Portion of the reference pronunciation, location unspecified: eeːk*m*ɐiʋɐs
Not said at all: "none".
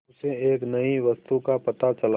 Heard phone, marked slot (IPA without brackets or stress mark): n